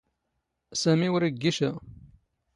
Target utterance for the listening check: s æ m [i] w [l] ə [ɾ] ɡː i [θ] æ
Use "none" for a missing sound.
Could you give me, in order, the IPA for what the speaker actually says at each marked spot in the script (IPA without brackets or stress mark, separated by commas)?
i, ɾ, none, ʃ